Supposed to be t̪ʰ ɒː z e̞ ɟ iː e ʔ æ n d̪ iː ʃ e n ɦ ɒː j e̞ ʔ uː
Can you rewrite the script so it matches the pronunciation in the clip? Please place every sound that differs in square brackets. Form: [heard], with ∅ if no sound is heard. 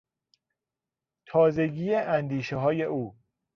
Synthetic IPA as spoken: t̪ʰ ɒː z e̞ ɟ iː e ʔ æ n d̪ iː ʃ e [∅] ɦ ɒː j e̞ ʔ uː